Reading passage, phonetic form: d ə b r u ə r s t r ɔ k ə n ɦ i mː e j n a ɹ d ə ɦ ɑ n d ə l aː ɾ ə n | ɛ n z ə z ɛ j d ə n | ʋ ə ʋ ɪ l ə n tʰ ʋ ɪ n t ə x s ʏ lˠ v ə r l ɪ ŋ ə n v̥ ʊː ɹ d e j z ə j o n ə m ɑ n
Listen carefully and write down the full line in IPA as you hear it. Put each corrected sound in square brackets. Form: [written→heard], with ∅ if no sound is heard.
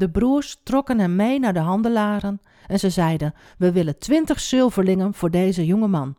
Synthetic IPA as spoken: d ə b r u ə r s t r ɔ k ə n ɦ [i→ɛ] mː e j n a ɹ d ə ɦ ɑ n d ə l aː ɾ ə n | ɛ n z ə z ɛ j d ə n | ʋ ə ʋ ɪ l ə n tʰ ʋ ɪ n t ə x s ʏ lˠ v ə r l ɪ ŋ ə n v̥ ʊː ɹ d e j z ə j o [n→ŋ] ə m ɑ n